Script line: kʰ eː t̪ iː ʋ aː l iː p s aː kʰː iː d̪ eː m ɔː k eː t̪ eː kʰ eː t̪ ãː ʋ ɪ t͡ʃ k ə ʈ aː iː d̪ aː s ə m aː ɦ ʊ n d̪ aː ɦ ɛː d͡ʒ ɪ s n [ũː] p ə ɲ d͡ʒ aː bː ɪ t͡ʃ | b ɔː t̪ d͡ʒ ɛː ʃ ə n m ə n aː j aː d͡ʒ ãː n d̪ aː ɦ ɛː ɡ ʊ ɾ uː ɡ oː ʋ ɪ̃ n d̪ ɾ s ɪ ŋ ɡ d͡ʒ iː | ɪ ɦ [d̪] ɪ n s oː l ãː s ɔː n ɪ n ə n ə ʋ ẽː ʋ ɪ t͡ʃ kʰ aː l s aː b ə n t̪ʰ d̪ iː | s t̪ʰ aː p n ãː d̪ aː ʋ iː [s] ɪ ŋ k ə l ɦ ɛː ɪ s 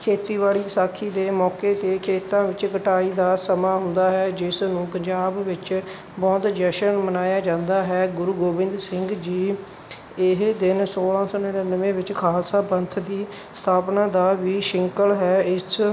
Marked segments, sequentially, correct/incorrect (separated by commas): correct, correct, incorrect